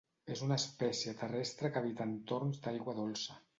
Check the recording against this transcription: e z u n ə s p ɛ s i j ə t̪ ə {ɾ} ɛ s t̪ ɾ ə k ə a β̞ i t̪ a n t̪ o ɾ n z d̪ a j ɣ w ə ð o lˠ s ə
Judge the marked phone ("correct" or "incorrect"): incorrect